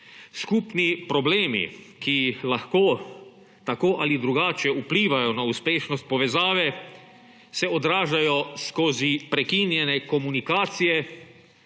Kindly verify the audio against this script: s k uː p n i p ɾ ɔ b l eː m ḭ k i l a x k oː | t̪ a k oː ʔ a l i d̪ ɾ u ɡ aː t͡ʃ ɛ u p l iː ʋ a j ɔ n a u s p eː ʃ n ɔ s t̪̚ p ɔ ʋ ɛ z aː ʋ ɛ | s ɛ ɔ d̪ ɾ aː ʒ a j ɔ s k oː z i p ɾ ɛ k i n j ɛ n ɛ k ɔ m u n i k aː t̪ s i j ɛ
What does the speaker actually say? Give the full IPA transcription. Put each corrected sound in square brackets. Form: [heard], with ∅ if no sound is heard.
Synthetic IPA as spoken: s k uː p n i p ɾ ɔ b l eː m ḭ k i l a x k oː | t̪ a k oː ʔ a l i d̪ ɾ u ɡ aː t͡ʃ ɛ u p l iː ʋ a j ɔ n a u s p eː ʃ n ɔ s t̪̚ p ɔ ʋ ɛ z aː ʋ ɛ | s ɛ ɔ d̪ ɾ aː ʒ a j ɔ s k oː z i p ɾ ɛ k i n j ɛ n ɛ k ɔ m u n i k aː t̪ s i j ɛ